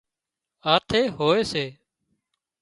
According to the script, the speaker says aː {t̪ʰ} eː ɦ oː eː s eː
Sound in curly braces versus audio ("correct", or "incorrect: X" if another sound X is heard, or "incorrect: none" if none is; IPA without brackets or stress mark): correct